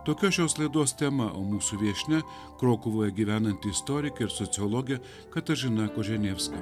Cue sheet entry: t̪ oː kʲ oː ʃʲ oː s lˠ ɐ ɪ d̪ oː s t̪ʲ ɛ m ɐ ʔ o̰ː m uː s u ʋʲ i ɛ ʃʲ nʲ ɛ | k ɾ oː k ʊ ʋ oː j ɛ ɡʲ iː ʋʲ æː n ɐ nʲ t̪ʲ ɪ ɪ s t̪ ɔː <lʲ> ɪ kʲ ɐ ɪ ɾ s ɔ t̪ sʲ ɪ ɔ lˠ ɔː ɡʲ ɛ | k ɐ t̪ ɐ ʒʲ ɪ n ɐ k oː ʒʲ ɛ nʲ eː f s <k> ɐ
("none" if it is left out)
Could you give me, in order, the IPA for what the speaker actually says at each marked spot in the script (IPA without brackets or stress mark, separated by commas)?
ɾʲ, k